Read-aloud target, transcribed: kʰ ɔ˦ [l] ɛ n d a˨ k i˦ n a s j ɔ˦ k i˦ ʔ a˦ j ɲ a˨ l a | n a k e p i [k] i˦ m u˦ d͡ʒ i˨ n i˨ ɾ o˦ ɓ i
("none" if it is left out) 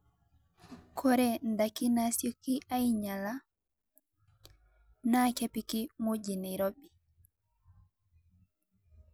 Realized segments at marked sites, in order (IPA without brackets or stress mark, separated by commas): ɾ, k